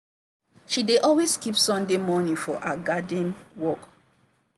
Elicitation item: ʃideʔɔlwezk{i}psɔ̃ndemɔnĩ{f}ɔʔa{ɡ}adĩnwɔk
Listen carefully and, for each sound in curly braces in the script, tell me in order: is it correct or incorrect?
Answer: correct, correct, correct

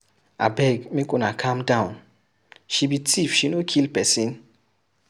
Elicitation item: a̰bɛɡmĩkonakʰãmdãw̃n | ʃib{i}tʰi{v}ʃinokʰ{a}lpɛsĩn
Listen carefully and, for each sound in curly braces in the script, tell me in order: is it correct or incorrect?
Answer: correct, incorrect: f, incorrect: i

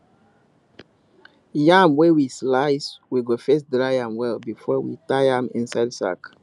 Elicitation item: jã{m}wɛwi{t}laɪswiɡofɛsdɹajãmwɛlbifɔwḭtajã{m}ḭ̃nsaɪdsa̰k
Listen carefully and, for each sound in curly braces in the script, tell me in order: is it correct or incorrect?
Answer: correct, incorrect: s, correct

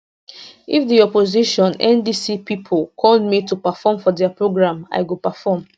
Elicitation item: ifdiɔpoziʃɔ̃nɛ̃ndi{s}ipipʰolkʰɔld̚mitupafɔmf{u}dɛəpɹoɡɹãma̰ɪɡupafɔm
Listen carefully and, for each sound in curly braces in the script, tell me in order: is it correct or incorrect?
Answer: correct, incorrect: ɔ

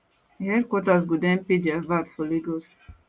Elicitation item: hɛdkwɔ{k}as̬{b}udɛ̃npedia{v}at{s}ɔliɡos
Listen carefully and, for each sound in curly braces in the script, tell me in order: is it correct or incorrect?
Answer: incorrect: t, incorrect: ɡ, correct, incorrect: f

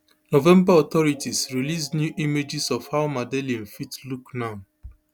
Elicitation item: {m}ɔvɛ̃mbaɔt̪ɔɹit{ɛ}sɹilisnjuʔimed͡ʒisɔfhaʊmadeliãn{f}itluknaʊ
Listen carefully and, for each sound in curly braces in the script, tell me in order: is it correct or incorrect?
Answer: incorrect: n, incorrect: i, correct

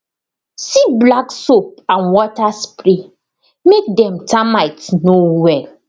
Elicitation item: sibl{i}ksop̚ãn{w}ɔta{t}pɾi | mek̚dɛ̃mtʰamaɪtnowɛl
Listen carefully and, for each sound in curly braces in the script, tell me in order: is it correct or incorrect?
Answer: incorrect: a, correct, incorrect: s

